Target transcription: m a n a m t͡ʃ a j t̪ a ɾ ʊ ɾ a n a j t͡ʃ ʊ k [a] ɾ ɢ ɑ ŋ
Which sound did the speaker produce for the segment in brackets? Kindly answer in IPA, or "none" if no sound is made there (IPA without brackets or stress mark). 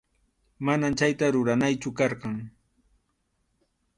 ɑ